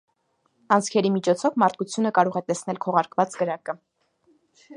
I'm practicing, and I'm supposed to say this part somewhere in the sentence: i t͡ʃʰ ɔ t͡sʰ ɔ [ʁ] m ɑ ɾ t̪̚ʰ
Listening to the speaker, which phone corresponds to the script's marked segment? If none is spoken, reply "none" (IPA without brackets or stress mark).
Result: v